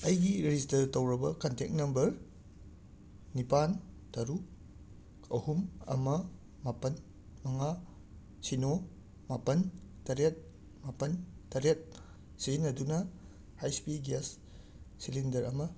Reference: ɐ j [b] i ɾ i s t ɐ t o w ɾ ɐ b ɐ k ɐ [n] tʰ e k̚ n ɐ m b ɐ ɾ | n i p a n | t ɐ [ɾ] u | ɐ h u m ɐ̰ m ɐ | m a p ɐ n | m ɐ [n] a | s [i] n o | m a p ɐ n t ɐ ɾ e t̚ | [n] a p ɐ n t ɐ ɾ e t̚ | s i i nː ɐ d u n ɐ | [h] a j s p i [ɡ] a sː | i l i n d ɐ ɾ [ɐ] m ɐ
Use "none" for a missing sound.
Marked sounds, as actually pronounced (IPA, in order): ɡ, n, ɾ, ŋ, i, m, h, ɡ, ɐ

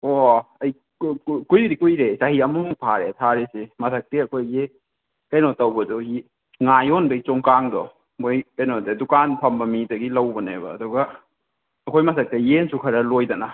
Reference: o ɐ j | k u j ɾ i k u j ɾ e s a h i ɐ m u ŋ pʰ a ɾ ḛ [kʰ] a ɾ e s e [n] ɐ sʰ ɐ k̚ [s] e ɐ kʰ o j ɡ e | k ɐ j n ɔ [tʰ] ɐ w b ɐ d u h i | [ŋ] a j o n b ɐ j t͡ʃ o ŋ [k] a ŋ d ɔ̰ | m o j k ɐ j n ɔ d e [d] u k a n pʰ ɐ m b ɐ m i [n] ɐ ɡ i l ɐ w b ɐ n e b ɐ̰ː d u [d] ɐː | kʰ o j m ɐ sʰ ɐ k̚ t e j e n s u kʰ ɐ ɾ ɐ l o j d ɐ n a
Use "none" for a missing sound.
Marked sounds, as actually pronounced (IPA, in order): tʰ, m, t, t, ŋ, k, d, d, ɡ

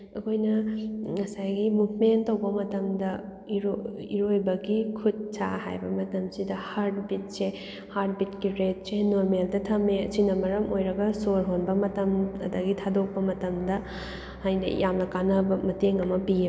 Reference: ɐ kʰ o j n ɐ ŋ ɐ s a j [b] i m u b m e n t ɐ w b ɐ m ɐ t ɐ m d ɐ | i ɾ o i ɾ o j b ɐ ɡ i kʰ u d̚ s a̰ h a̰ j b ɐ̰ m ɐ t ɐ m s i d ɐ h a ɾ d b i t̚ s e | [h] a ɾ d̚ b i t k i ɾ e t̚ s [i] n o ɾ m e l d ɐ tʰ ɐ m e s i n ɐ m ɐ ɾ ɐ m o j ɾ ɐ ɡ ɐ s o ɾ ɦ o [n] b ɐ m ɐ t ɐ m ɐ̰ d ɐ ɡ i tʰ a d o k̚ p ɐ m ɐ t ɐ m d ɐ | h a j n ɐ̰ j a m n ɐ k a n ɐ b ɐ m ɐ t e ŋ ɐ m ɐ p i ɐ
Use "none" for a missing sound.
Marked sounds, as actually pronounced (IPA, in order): ɡ, h, e, n

